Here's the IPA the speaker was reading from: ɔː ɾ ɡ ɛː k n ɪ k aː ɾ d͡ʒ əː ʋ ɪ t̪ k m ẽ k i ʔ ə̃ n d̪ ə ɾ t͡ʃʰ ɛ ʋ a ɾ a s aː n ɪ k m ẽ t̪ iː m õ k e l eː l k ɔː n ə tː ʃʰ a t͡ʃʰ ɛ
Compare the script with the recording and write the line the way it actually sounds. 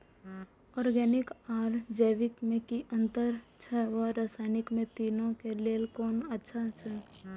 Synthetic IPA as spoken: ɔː ɾ ɡ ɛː n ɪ k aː ɾ d͡ʒ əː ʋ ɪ k m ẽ k i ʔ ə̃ n t̪ ə ɾ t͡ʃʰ ɛ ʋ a ɾ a s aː n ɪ k m ẽ t̪ iː n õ k e l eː l k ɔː n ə tː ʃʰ a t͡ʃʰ ɛ